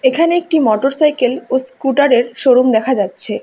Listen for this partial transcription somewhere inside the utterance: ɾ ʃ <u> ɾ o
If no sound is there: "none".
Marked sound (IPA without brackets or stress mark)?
o